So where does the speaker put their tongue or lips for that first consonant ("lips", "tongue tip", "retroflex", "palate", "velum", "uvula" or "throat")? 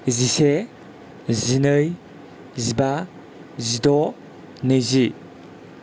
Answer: tongue tip